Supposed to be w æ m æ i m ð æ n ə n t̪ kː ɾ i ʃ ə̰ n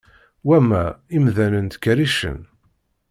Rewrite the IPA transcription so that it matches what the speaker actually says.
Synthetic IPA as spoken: w æ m æ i m ð æ n ə n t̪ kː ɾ i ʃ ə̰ n